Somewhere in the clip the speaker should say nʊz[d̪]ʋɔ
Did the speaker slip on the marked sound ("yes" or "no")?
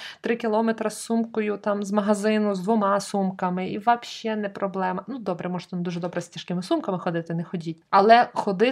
no